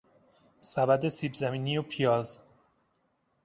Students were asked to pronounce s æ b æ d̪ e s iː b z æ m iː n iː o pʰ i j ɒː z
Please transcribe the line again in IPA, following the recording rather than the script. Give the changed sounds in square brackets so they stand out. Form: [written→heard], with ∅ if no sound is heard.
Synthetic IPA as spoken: s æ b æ d̪ e s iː b z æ m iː n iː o pʰ i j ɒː z